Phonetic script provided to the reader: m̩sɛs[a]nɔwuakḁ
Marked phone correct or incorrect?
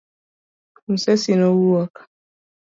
incorrect